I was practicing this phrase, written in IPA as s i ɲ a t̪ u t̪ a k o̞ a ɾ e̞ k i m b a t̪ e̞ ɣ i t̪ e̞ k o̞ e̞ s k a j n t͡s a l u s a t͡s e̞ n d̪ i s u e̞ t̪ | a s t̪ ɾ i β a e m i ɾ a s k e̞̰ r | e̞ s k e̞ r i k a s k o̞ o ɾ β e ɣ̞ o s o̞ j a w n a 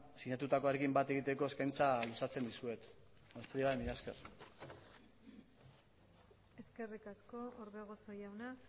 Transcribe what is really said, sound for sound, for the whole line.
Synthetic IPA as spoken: s i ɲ a t̪ u t̪ a k o̞ a ɾ e̞ k i m b a t̪ e̞ ɣ i t̪ e̞ k o̞ e̞ s k a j n t͡s a l u s a t͡s e̞ n d̪ i s u e̞ t̪ | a s t̪ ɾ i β a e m i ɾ a s k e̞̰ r | e̞ s k e̞ r i k a s k o̞ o ɾ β e ɣ̞ o s o̞ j a w n a